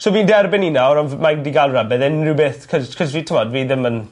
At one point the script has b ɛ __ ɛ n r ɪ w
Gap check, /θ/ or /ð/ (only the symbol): ð